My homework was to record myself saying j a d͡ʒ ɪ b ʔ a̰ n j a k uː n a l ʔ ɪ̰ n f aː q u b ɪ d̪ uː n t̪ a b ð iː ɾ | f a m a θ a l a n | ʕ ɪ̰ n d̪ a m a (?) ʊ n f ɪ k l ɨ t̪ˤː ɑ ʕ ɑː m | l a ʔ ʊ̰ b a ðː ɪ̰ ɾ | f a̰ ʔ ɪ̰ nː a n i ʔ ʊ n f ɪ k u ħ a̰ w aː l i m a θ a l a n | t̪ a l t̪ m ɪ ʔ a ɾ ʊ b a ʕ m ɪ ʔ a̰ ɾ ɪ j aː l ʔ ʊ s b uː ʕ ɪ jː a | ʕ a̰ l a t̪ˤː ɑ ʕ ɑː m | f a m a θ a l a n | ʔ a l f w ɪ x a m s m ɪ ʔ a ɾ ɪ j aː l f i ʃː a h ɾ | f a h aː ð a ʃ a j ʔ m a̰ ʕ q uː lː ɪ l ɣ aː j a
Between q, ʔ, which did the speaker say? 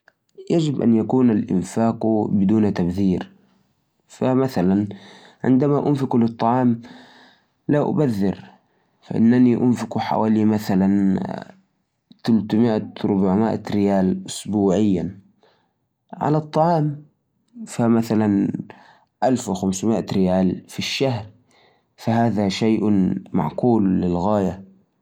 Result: ʔ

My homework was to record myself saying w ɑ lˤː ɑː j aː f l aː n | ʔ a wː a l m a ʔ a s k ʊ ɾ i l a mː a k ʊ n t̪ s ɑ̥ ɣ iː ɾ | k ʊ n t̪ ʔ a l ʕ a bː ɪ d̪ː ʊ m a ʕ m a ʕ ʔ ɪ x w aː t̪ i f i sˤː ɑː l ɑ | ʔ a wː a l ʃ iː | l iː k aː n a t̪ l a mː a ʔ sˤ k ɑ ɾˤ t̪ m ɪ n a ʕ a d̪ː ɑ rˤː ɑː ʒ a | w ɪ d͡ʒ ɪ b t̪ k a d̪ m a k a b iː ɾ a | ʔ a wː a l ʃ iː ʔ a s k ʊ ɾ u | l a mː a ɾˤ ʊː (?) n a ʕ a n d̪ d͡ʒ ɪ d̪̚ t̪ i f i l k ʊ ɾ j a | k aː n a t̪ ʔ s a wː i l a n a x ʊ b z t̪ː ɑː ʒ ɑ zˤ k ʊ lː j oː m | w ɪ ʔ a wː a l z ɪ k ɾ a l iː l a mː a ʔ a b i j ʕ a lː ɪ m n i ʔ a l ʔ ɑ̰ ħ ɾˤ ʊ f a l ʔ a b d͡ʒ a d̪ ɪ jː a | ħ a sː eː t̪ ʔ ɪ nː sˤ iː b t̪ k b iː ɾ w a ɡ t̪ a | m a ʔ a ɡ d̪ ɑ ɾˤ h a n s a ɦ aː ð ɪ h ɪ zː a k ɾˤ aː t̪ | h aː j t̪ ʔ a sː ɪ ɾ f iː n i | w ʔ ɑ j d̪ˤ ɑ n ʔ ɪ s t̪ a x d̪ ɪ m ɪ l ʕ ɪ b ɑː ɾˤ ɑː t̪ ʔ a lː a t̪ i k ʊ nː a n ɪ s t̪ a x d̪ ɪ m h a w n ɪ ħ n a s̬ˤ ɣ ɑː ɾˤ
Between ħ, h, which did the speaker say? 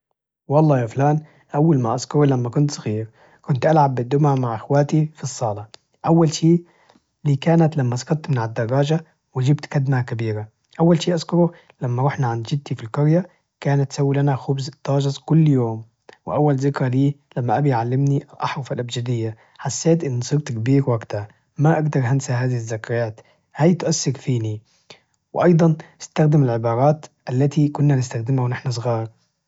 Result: ħ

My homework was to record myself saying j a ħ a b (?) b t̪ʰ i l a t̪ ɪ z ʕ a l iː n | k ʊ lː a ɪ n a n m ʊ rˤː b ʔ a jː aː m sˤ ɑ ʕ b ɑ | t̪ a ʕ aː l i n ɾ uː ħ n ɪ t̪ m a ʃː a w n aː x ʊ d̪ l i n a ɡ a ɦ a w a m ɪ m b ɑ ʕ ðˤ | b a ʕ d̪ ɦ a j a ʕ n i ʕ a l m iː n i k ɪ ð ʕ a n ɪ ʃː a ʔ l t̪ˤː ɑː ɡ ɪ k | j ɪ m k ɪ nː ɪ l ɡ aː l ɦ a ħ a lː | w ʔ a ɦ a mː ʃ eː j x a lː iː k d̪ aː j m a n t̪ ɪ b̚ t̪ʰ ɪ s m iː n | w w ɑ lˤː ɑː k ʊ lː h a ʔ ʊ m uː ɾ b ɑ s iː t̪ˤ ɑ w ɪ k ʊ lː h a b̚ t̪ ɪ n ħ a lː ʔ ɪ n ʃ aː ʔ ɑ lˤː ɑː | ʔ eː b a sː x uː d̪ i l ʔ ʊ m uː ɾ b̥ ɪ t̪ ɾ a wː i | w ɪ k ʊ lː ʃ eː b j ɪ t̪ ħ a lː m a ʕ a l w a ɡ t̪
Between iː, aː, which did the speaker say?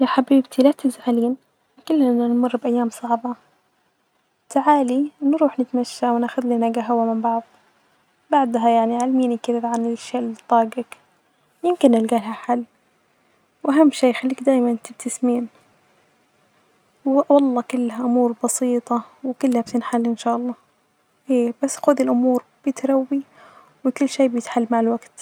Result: iː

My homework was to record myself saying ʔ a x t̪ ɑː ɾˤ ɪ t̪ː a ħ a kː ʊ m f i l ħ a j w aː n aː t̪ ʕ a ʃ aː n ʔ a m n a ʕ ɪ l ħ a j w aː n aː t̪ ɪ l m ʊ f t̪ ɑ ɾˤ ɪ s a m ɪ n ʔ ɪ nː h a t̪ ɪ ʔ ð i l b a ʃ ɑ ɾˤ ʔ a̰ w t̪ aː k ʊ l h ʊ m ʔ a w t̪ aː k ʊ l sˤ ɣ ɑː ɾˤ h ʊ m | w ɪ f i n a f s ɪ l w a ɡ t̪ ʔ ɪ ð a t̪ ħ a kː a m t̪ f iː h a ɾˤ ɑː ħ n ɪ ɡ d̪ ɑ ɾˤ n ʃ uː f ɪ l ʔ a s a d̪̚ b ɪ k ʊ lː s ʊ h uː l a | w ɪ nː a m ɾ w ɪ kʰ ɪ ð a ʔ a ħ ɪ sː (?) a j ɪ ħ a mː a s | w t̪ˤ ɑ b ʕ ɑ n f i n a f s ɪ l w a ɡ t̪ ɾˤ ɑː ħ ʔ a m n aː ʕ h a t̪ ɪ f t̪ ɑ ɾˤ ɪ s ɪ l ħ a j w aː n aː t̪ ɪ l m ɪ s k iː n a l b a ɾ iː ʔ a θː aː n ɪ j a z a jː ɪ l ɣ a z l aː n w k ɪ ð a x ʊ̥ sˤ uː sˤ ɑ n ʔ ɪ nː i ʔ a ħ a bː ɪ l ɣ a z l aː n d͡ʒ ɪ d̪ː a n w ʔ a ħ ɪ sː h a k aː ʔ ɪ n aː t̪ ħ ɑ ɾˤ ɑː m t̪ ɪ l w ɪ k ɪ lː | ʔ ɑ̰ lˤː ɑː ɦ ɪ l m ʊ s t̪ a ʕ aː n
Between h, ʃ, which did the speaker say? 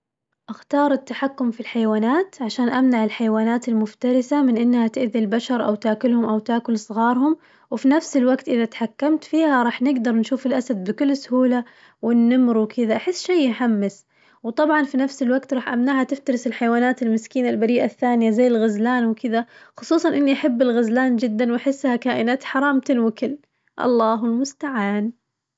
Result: ʃ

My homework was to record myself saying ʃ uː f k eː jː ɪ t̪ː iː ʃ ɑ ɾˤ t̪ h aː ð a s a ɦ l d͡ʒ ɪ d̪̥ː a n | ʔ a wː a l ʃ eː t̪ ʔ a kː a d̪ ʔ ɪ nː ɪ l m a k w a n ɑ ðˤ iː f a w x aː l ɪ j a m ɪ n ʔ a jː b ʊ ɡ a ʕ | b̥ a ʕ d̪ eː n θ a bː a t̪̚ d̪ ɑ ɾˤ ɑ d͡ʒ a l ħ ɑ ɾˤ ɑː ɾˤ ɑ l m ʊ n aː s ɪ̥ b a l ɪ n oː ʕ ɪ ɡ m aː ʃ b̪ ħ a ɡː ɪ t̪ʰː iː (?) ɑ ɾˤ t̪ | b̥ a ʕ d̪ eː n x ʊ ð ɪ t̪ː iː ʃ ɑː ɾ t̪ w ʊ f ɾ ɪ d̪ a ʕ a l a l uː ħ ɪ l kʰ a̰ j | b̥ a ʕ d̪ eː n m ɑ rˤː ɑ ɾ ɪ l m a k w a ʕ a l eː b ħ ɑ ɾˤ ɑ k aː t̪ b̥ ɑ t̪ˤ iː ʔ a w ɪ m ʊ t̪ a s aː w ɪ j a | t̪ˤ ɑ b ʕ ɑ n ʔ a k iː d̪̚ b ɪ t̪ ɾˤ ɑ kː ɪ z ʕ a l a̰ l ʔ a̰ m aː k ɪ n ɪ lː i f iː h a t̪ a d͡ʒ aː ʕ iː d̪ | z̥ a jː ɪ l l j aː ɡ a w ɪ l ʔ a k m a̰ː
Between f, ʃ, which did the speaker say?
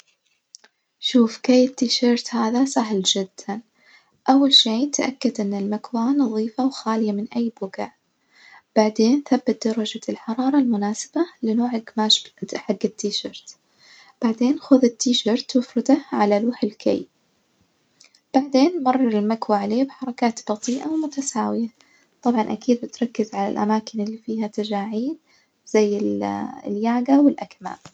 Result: ʃ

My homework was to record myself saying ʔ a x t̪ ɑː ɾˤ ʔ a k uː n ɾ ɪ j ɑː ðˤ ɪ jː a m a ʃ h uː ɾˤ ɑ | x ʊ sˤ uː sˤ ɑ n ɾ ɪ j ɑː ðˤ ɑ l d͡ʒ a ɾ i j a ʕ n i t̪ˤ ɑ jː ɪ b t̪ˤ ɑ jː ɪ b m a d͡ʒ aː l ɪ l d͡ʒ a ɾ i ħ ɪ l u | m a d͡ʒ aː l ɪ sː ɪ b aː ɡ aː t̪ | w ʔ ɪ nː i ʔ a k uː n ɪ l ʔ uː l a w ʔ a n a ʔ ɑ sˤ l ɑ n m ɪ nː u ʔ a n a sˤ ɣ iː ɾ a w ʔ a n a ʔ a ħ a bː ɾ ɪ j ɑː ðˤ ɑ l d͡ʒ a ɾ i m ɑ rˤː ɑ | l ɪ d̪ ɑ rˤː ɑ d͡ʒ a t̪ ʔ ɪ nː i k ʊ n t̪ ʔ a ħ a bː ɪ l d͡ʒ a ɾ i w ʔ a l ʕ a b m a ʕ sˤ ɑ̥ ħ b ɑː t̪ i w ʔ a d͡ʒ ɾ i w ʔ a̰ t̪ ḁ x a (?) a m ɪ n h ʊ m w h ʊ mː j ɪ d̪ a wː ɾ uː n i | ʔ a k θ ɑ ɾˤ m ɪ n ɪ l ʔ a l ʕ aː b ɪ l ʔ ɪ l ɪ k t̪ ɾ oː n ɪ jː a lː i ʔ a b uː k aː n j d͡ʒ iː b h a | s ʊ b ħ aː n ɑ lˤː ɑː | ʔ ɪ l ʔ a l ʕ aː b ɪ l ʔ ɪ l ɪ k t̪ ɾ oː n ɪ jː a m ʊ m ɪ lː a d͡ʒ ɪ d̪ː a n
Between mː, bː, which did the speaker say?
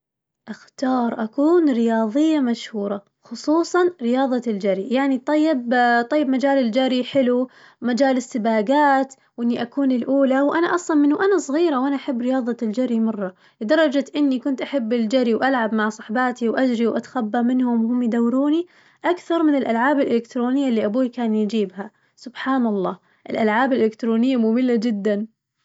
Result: bː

